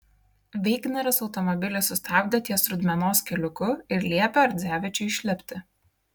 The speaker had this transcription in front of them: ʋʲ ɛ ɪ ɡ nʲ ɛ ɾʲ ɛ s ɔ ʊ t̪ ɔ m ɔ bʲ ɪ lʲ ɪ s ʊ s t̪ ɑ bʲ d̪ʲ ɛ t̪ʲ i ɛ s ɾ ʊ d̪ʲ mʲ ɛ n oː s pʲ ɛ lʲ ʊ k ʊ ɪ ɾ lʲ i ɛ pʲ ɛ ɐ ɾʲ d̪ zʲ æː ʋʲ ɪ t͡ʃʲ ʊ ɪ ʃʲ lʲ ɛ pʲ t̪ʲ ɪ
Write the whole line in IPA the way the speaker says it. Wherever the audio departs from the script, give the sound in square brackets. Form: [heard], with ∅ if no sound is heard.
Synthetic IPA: ʋʲ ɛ ɪ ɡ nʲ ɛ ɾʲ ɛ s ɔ ʊ t̪ ɔ m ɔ bʲ ɪ lʲ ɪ s ʊ s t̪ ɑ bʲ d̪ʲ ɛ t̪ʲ i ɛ s ɾ ʊ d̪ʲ mʲ ɛ n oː s [kʲ] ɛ lʲ ʊ k ʊ ɪ ɾ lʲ i ɛ pʲ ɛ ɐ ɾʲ d̪ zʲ æː ʋʲ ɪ t͡ʃʲ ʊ ɪ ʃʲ lʲ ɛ pʲ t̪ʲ ɪ